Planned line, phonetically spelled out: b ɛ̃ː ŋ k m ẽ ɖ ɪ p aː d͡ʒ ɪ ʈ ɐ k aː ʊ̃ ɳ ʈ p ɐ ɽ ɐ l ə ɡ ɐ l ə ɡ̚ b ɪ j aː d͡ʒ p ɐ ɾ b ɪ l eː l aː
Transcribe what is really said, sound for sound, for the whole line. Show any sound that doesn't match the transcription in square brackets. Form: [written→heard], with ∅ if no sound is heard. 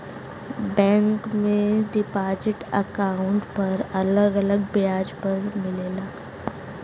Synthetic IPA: b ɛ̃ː ŋ k m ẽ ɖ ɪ p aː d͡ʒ ɪ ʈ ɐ k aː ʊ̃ ɳ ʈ p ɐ [ɽ→ɾ] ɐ l ə ɡ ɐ l ə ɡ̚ b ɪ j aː d͡ʒ p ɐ ɾ [b→m] ɪ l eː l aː

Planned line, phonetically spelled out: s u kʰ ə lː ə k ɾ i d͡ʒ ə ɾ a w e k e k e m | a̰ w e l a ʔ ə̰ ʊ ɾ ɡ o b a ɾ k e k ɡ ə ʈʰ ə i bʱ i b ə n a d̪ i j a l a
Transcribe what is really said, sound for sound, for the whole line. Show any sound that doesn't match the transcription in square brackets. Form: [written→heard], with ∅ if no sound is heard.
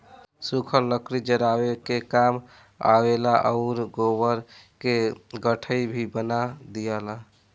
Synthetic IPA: s u kʰ ə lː ə k ɾ i d͡ʒ ə ɾ a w e k e k [e→a] m | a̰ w e l a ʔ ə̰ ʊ ɾ ɡ o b [a→ə] ɾ k e [k→∅] ɡ ə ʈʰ ə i bʱ i b ə n a d̪ i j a l a

